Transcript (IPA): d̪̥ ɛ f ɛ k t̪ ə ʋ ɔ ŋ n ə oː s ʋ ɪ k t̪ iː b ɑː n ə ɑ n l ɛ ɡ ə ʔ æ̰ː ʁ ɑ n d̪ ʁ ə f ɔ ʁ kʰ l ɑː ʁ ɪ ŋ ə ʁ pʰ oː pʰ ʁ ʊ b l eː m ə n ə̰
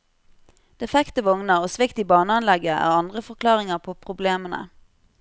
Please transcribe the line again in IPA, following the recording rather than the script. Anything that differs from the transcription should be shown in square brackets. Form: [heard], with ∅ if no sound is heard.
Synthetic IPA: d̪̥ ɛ f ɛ k t̪ ə ʋ ɔ ŋ n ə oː s ʋ ɪ k t̪ iː b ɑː n ə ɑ n l ɛ ɡ ə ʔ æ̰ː ʁ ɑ n d̪ ʁ ə f ɔ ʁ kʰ l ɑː ʁ ɪ ŋ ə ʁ pʰ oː pʰ ʁ ʊ b l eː m ə n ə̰